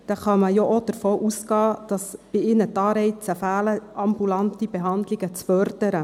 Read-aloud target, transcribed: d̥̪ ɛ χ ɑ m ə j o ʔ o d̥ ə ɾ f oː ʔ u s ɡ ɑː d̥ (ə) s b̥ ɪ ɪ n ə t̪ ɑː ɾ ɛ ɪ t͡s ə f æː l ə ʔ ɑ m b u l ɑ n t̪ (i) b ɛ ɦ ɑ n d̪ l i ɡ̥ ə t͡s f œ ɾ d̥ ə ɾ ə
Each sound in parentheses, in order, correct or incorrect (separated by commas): incorrect, correct